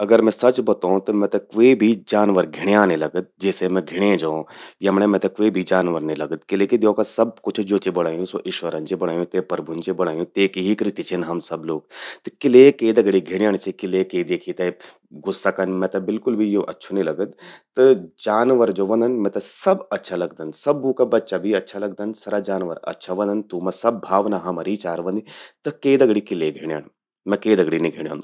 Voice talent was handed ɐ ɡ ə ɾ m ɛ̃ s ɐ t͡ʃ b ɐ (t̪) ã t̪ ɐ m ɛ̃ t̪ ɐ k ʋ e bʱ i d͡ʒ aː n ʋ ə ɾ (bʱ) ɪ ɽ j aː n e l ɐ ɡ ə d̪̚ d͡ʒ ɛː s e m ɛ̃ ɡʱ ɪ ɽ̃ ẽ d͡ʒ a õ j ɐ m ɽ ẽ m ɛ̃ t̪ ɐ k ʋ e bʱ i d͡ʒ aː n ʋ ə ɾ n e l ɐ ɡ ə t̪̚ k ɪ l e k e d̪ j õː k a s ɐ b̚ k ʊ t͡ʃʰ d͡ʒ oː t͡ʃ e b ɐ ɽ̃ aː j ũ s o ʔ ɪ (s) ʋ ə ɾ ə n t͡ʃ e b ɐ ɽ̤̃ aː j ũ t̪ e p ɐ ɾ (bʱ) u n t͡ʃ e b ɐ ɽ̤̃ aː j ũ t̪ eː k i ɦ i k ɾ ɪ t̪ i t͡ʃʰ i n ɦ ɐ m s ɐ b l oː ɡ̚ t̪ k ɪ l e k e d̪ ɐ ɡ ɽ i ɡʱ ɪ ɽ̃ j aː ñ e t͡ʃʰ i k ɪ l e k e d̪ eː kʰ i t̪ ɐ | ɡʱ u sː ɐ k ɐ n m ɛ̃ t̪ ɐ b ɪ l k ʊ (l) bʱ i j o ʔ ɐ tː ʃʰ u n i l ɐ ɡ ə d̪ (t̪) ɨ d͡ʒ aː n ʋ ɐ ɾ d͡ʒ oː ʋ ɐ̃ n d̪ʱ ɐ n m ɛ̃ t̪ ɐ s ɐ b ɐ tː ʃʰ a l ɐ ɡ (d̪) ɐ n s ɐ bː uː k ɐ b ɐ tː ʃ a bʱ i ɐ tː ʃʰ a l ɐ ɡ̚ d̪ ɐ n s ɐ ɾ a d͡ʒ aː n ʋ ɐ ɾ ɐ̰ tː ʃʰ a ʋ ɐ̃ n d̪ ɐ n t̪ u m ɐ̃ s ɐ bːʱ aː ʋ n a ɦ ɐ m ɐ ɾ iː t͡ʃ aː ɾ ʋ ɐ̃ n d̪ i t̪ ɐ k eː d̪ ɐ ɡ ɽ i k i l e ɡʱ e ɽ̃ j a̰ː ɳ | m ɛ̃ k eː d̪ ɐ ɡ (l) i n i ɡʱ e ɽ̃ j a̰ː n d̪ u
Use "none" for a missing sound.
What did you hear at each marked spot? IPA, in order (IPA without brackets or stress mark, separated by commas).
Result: t̪, ɡʱ, ʃ, bʱ, l, t̪, d̪, ɽ